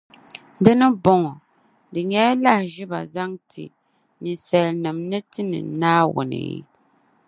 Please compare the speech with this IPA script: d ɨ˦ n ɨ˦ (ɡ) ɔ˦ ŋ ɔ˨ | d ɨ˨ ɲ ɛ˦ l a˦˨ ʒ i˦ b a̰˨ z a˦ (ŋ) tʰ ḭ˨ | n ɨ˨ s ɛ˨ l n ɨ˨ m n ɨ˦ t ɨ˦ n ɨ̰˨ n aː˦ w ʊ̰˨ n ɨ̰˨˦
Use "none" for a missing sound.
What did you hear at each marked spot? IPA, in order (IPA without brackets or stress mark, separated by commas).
b, ŋ